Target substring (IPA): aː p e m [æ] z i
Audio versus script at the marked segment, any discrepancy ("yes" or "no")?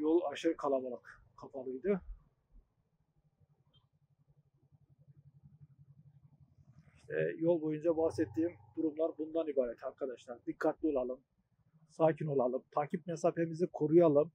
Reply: yes